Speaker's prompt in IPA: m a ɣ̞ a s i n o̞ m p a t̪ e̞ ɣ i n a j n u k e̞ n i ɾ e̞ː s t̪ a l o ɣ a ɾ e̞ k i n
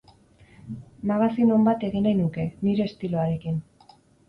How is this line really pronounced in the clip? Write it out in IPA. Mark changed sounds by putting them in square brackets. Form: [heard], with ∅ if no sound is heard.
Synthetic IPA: m a ɣ̞ a s i n o̞ m [b] a t̪ e̞ ɣ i n a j n u k e̞ n i ɾ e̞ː s t̪ [i] l o [∅] a ɾ e̞ k i n